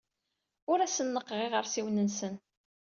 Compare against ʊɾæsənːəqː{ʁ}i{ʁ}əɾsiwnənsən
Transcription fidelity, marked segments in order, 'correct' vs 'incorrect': correct, correct

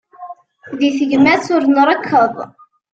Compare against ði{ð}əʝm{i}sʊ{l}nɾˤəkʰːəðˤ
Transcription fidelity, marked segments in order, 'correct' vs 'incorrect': incorrect, incorrect, incorrect

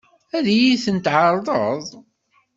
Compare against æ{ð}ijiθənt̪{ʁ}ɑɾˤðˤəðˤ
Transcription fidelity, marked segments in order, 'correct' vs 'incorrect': correct, incorrect

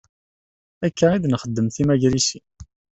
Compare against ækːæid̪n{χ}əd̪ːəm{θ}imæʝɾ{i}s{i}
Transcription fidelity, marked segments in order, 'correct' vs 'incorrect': correct, correct, correct, correct

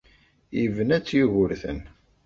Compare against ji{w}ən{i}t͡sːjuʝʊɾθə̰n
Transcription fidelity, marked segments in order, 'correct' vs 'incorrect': incorrect, incorrect

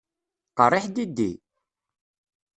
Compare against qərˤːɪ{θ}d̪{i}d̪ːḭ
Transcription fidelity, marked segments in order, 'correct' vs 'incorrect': incorrect, correct

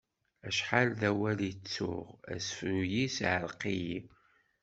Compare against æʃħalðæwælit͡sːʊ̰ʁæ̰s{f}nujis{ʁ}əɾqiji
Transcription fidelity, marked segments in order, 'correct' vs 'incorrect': correct, incorrect

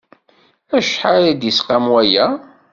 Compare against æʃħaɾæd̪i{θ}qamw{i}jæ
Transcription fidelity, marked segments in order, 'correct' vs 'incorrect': incorrect, incorrect

